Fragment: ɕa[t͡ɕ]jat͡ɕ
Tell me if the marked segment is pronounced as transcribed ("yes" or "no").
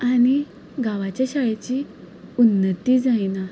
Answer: no